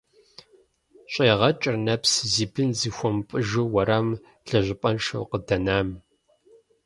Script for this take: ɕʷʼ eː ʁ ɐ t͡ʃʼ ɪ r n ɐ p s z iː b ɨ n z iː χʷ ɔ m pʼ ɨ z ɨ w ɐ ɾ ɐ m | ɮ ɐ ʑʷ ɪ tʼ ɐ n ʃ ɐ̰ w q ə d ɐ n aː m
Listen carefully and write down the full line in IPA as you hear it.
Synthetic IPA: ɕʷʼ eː ʁ ɐ t͡ʃʼ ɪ r n ɐ p s z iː b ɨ n z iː xʷ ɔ m pʼ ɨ ʒ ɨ w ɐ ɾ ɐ m | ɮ ɐ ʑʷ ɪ pʼ ɐ n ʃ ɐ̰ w q ə d ɐ n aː m